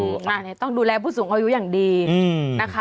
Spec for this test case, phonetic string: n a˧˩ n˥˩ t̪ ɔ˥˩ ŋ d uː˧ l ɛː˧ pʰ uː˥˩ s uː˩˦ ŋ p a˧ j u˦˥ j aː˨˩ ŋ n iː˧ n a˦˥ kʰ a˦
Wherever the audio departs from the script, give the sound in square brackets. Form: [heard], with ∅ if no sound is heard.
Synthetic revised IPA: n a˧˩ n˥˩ t̪ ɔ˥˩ ŋ d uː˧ l ɛː˧ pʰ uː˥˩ s uː˩˦ ŋ [ʔ] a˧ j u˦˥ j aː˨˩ ŋ [d] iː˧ n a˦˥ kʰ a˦